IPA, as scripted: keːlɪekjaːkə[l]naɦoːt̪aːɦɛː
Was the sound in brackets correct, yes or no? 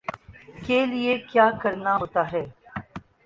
no